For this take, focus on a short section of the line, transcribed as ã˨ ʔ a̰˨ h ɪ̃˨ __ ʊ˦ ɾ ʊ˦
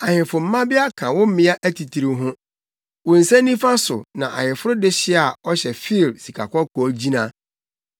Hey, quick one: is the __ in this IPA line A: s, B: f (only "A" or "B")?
B